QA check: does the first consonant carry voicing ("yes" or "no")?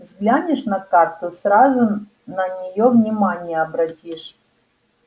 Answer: yes